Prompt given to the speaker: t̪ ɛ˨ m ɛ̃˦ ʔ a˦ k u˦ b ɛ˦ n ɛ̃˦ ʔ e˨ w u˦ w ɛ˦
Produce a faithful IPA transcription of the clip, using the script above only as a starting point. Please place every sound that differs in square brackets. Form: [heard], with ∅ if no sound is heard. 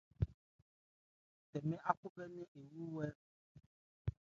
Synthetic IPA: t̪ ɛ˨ m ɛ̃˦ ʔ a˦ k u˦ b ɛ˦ n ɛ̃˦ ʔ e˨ w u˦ w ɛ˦